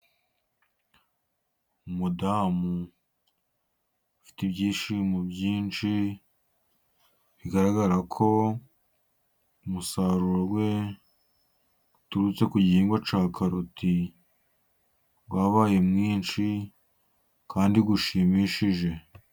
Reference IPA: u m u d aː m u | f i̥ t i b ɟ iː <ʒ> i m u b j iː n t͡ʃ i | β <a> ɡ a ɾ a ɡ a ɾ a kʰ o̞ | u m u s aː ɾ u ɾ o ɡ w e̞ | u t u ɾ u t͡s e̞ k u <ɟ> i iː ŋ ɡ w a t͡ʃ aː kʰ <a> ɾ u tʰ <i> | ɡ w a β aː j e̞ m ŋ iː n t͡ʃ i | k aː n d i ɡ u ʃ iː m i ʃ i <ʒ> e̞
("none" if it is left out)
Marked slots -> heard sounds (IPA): ʃ, i, ɟ, a, i, ʒ

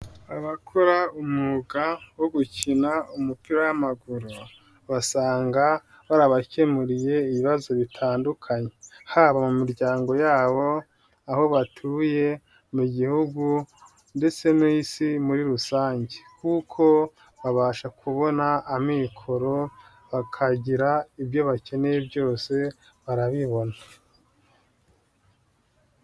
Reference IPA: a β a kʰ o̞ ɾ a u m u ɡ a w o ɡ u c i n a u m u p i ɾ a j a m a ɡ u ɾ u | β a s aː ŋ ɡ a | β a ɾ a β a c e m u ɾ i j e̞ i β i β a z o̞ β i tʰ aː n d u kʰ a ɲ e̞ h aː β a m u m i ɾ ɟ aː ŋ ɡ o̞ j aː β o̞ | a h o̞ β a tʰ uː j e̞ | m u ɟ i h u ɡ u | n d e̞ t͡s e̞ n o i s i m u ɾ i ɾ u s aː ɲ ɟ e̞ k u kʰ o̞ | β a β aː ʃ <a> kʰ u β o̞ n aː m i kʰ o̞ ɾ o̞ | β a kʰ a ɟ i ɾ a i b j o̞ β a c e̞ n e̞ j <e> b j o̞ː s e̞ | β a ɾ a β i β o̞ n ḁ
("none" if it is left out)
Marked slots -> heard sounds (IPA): a, e

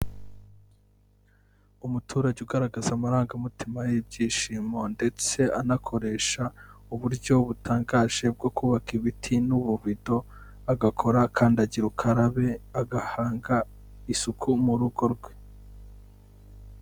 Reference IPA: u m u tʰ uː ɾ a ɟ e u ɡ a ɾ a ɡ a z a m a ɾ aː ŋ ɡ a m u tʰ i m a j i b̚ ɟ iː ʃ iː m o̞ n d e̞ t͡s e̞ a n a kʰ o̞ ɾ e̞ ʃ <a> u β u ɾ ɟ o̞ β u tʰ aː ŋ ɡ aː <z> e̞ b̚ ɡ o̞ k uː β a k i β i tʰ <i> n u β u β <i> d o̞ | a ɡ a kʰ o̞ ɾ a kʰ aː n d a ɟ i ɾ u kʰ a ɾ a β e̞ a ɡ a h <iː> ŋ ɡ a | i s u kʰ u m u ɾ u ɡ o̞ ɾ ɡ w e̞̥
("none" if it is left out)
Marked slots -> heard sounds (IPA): a, ʒ, i, i, aː

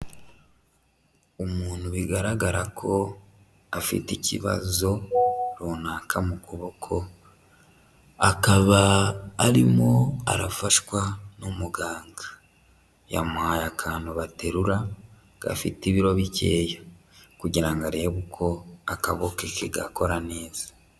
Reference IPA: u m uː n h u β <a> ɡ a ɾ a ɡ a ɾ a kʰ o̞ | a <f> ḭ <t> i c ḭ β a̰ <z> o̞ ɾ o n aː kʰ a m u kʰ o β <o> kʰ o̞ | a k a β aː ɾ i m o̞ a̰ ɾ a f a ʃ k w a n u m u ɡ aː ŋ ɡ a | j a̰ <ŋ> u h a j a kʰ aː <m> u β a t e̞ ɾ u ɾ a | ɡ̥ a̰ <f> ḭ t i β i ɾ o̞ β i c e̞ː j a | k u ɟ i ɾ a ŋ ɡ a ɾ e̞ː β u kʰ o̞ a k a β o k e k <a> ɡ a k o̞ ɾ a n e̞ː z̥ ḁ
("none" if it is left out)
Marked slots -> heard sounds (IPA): i, f, t, z, o, m, n, f, e

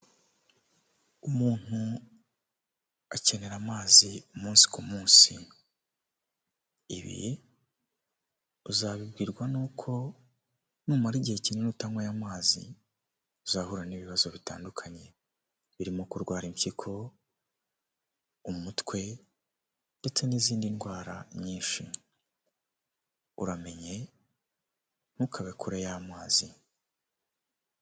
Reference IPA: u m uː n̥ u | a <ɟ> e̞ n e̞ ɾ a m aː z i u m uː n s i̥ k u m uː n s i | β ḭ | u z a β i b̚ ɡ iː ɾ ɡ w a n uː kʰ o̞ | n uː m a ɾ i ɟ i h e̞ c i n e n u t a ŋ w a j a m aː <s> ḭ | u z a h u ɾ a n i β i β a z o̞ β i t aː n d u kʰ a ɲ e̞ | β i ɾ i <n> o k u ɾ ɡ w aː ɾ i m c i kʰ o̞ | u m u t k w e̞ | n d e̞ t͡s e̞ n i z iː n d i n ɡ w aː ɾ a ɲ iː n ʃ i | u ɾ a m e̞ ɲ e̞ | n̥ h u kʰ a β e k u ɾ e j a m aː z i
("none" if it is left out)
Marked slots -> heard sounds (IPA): c, z, m

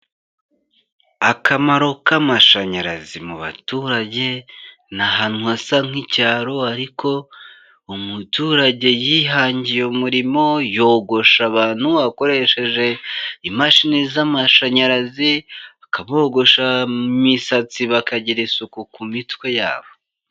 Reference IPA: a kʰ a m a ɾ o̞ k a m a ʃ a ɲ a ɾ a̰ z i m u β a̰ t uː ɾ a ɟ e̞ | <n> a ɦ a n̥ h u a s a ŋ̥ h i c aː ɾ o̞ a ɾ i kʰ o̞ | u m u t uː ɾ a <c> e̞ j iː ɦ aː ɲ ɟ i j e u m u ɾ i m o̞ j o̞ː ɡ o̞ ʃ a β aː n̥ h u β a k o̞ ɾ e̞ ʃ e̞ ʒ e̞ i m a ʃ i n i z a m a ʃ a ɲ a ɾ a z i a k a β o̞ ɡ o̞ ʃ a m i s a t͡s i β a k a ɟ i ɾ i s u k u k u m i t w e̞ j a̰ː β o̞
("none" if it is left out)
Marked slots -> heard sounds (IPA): n, ɟ

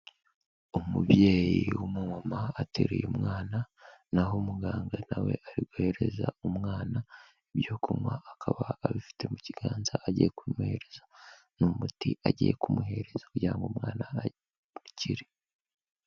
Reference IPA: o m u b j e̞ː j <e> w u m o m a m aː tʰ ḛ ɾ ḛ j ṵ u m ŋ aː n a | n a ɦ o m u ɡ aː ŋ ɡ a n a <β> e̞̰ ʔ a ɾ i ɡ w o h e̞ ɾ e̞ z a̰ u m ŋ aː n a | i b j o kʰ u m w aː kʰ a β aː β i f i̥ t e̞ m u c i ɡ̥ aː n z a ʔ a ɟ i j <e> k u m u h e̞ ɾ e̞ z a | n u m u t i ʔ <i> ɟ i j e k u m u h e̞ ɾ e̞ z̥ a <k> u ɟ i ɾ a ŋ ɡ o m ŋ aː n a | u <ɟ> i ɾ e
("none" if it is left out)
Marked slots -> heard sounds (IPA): i, w, e, a, k, c

